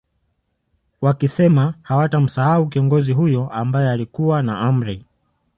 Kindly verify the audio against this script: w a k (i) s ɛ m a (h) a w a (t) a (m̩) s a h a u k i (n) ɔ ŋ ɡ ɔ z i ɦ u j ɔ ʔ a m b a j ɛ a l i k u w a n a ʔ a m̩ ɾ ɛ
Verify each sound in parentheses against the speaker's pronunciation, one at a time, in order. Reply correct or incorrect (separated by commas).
correct, correct, correct, correct, incorrect